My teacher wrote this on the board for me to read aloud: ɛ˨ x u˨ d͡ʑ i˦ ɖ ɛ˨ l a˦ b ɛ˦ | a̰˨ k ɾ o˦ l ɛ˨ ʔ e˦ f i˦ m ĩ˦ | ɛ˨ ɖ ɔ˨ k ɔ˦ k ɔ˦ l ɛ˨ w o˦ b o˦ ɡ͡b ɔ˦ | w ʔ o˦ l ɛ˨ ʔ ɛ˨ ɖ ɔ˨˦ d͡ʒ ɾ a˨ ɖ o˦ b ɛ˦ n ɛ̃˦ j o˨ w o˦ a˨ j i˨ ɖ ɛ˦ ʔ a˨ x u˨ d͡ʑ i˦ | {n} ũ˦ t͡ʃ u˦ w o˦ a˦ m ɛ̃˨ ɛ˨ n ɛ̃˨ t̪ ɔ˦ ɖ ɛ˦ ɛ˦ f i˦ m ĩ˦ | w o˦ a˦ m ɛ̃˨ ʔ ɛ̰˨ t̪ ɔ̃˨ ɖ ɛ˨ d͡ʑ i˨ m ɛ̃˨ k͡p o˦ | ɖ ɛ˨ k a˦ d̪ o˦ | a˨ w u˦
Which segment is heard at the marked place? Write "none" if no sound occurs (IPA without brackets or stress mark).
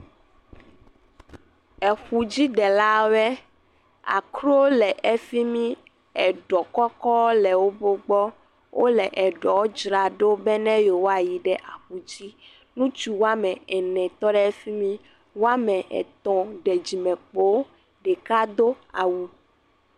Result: n